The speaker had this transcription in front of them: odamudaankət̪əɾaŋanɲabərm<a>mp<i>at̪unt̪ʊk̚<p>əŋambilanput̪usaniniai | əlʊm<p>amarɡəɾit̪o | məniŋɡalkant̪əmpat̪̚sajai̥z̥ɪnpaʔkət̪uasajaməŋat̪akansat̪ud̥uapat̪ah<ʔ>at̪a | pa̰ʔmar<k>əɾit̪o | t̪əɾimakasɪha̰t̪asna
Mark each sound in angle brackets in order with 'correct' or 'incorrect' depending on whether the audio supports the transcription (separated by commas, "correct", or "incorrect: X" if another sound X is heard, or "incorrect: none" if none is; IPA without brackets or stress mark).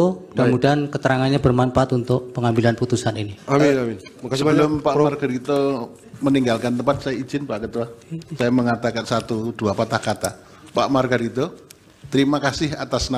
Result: correct, incorrect: a, correct, correct, incorrect: k, incorrect: ɡ